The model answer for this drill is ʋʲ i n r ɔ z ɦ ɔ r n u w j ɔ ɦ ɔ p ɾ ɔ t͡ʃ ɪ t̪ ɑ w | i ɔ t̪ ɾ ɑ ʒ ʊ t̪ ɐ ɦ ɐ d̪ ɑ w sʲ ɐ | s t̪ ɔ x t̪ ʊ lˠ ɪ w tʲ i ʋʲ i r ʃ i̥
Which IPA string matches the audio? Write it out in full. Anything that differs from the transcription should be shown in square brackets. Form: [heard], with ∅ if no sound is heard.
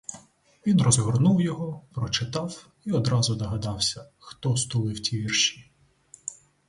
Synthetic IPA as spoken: ʋʲ i n r ɔ z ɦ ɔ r n u w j ɔ ɦ ɔ p ɾ ɔ t͡ʃ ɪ t̪ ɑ w | i ɔ [d̪] ɾ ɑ [z] ʊ [d̪] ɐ ɦ ɐ d̪ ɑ w sʲ ɐ | [x] t̪ ɔ [s] t̪ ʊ lˠ ɪ w tʲ i ʋʲ i r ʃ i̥

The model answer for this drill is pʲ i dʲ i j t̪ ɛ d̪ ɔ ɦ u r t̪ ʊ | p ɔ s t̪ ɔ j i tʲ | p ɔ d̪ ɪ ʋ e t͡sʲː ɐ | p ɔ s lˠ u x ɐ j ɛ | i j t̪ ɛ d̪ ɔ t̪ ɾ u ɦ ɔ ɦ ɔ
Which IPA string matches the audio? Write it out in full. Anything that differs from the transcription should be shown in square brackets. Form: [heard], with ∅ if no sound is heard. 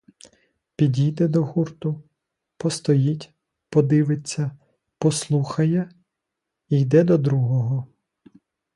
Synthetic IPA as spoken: pʲ i dʲ i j [d̪] ɛ d̪ ɔ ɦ u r t̪ ʊ | p ɔ s t̪ ɔ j i tʲ | p ɔ d̪ ɪ ʋ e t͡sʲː ɐ | p ɔ s lˠ u x ɐ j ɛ | i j [d̪] ɛ d̪ ɔ [d̪] ɾ u ɦ ɔ ɦ ɔ

